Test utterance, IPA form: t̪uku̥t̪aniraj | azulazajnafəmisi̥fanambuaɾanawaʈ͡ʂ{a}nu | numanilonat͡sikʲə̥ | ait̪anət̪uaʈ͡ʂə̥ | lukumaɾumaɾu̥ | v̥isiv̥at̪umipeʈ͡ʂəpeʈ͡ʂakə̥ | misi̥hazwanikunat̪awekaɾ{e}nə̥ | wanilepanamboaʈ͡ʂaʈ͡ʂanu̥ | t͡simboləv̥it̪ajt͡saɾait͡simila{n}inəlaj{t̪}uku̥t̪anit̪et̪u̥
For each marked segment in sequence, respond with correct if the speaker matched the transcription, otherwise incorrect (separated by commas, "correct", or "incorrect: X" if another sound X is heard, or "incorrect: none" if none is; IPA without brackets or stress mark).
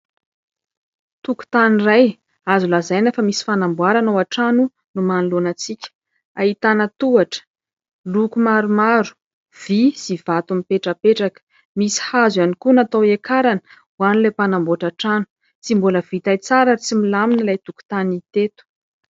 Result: correct, incorrect: a, incorrect: m, correct